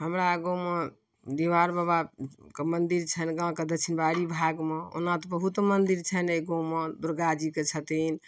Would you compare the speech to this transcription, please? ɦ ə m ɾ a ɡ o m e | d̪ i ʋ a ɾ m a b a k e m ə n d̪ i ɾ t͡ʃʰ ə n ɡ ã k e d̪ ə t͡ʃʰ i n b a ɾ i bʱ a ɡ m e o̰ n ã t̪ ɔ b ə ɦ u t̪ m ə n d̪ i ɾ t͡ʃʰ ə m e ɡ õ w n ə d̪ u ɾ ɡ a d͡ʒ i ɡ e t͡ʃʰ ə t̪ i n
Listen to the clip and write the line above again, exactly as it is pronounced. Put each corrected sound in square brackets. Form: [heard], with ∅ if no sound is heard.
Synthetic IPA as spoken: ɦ ə m ɾ a ɡ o m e | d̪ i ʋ a ɾ [b] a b a k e m ə n d̪ i ɾ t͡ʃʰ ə n ɡ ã k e d̪ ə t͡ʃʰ i n b a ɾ i bʱ a ɡ m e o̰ n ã t̪ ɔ b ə ɦ u t̪ m ə n d̪ i ɾ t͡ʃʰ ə [n] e ɡ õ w [m] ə d̪ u ɾ ɡ a d͡ʒ i [k] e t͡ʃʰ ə t̪ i n